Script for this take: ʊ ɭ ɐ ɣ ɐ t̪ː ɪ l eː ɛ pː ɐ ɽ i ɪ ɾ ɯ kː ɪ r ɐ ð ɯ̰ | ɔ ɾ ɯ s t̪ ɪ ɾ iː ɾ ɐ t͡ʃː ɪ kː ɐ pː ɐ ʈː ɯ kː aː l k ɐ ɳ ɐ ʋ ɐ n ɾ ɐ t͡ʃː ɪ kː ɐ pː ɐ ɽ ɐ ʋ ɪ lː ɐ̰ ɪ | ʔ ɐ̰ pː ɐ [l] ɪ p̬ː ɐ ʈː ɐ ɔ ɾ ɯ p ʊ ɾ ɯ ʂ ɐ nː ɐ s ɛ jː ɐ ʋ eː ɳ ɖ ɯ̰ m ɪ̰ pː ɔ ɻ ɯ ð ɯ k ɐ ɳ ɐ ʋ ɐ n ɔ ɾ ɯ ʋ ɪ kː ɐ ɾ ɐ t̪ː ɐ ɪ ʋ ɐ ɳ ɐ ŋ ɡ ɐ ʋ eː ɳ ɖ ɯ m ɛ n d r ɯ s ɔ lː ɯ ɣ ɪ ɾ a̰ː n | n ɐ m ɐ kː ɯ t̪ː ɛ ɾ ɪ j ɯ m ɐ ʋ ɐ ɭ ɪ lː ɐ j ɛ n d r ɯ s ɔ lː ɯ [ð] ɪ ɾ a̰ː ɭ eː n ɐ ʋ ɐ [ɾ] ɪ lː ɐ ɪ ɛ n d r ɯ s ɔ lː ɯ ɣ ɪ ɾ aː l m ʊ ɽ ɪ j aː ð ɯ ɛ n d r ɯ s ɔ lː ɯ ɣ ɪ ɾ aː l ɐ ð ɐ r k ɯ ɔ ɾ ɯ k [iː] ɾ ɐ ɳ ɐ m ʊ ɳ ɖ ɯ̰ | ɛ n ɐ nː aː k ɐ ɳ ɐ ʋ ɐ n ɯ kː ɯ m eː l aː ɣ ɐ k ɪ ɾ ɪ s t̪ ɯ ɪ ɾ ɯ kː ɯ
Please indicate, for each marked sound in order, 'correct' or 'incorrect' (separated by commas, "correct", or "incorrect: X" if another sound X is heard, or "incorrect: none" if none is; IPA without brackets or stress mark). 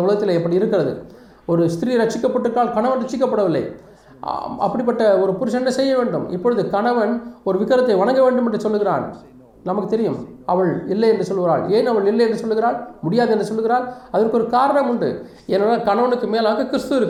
incorrect: ɽ, incorrect: ɣ, incorrect: ɭ, incorrect: aː